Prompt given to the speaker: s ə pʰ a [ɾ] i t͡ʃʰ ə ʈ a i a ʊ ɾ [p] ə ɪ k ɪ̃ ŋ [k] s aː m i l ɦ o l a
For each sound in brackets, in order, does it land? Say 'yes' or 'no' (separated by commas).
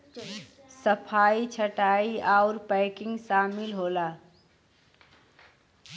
no, yes, no